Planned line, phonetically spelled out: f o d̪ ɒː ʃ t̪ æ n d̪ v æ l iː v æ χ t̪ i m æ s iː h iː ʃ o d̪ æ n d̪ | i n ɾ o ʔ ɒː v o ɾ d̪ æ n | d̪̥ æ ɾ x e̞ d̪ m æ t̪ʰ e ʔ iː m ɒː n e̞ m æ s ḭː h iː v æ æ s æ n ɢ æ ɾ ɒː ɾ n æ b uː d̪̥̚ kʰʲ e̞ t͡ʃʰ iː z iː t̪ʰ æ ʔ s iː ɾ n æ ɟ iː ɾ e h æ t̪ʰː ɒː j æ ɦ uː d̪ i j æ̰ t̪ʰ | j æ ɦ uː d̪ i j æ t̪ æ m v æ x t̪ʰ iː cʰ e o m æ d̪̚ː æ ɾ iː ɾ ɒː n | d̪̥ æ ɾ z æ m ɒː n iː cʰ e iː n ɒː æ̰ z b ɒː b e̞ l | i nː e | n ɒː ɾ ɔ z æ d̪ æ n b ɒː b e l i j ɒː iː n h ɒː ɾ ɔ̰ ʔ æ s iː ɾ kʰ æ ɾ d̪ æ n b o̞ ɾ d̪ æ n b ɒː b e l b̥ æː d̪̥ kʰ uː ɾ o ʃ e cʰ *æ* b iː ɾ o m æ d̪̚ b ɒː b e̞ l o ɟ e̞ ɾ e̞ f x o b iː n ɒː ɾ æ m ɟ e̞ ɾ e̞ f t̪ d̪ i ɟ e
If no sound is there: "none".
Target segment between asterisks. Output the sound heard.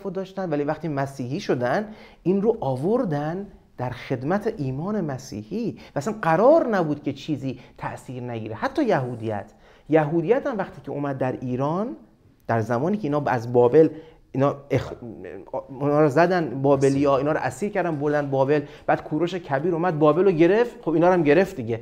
æ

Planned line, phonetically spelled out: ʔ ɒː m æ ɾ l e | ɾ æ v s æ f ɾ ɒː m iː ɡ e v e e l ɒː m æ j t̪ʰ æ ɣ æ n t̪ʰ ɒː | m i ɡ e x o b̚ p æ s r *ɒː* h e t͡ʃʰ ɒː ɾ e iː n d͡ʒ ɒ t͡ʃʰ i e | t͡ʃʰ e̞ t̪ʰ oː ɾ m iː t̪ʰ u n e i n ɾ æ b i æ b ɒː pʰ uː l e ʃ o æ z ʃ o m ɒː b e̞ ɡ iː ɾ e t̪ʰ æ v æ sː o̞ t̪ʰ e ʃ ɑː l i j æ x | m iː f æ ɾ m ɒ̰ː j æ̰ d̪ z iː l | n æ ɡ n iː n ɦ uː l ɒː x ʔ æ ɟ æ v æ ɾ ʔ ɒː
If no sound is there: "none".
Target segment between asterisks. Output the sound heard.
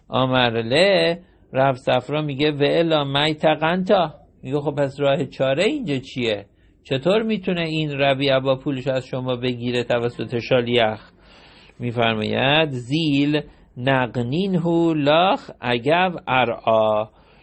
ɒː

